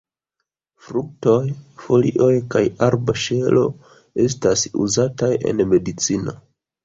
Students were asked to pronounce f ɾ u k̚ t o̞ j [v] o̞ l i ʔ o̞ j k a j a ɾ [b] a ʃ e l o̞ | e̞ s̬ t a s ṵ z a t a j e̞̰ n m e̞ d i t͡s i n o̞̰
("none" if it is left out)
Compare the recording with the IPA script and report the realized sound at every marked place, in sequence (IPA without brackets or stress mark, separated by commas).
f, b